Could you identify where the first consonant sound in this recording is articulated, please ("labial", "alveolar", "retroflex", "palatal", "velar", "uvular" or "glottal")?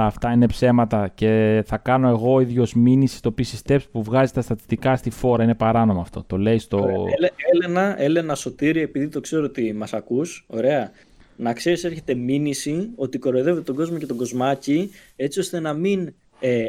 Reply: labial